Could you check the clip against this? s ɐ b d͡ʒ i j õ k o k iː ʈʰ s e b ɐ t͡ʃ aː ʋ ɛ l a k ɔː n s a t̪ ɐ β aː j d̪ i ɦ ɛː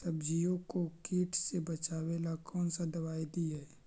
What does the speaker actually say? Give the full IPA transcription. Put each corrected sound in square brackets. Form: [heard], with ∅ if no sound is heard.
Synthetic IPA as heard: s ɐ b d͡ʒ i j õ k o k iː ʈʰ s e b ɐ t͡ʃ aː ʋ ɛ l a k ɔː n s a [d̪] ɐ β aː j d̪ i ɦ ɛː